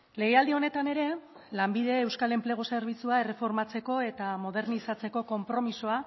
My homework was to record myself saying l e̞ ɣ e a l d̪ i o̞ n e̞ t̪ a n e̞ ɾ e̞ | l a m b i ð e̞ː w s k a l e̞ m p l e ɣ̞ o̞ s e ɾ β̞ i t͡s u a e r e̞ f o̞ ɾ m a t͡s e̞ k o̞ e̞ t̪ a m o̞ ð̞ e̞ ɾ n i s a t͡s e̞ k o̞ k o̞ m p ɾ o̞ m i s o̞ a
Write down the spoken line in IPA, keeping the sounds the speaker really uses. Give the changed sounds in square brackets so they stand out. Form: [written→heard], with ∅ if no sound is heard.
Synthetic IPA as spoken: l e̞ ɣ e a l d̪ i o̞ n e̞ t̪ a n e̞ ɾ e̞ | l a m b i ð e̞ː w s k a l e̞ m p l e ɣ̞ o̞ s e ɾ β̞ i t͡s u a e r e̞ f o̞ ɾ m a t͡s e̞ k o̞ e̞ t̪ a m o̞ ð̞ e̞ ɾ n i s a t͡s e̞ k o̞ k o̞ m p ɾ o̞ m i s o̞ a